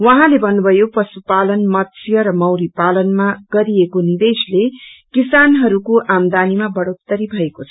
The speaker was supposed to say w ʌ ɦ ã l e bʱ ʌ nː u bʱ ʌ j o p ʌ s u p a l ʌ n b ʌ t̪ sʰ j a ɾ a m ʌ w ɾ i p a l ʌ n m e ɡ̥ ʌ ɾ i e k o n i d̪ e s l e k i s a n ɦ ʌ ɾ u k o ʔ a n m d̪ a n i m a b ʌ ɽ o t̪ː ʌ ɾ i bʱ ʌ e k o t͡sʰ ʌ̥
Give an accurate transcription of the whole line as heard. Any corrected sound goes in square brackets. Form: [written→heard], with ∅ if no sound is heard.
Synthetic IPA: w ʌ ɦ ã l e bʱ ʌ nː u bʱ ʌ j o p ʌ s u p a l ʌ n [b→m] ʌ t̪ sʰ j [a→ʌ] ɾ [a→ʌ] m ʌ w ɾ i p a l ʌ n m [e→a] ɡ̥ ʌ ɾ i e k o n i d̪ e s l e k i s a n ɦ ʌ ɾ u k o ʔ a [n→∅] m d̪ a n i m a b ʌ ɽ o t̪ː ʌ ɾ i bʱ ʌ e k o t͡sʰ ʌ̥